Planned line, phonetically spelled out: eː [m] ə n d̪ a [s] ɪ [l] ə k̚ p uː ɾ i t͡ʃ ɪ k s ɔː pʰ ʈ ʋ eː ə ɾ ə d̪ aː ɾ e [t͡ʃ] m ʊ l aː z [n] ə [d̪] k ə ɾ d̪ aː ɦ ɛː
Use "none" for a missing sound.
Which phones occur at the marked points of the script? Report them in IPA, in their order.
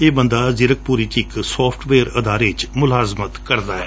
b, z, ɾ, t͡ʃ, m, t̪

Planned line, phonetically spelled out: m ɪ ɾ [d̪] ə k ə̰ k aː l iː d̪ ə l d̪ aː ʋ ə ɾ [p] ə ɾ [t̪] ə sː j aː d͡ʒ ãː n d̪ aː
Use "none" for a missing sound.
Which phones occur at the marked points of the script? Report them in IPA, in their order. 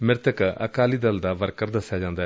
t̪, k, d̪

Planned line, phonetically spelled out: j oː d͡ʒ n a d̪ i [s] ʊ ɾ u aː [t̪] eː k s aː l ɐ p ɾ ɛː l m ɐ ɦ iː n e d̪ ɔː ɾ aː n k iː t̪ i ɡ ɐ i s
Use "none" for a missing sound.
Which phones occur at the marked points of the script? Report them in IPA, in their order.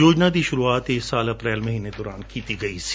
ʃ, t̪

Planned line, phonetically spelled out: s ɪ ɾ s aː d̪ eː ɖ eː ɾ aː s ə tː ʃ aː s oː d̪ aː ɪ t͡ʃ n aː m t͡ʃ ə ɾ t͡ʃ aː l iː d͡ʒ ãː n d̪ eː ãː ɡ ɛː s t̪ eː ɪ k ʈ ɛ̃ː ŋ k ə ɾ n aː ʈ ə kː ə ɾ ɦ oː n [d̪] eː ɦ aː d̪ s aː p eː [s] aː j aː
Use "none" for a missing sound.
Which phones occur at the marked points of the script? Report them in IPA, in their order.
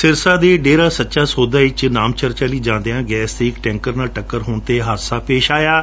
t̪, ʃ

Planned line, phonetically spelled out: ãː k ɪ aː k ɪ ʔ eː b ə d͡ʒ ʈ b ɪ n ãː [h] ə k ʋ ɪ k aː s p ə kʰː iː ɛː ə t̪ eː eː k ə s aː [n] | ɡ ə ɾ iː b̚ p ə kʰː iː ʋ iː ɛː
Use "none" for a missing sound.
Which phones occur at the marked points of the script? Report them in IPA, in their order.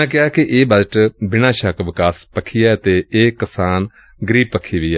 ʃ, n

